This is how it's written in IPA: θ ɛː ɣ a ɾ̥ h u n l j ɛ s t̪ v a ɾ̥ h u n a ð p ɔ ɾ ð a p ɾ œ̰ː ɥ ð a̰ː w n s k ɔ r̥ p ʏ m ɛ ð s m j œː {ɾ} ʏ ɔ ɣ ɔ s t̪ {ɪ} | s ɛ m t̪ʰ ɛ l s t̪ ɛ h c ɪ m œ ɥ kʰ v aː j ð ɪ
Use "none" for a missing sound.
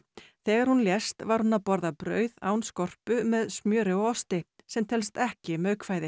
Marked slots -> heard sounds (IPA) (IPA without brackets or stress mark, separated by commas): ɾ, ɪ